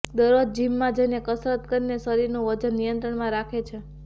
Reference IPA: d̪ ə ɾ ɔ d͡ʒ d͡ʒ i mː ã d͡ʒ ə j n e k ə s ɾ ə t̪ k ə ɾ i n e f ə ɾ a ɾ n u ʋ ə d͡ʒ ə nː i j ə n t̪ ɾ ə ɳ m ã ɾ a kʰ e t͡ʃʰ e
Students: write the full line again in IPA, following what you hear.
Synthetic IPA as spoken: d̪ ə ɾ o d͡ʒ d͡ʒ i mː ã d͡ʒ ə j n e k ə s ɾ ə t̪ k ə ɾ i n e s ə ɾ i ɾ n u ʋ ə d͡ʒ ə nː i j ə n t̪ ɾ ə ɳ m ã ɾ a kʰ e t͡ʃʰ e